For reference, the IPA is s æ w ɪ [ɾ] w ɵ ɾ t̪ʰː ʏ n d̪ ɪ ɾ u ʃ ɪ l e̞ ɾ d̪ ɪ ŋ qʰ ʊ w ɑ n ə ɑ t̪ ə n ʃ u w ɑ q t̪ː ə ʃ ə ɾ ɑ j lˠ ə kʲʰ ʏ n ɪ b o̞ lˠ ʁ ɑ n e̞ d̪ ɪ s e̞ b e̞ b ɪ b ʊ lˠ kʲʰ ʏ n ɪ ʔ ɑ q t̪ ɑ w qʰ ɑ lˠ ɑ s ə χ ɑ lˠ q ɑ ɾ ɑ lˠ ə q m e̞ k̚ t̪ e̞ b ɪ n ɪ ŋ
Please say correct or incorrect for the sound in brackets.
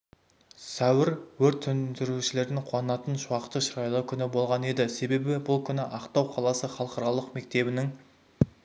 correct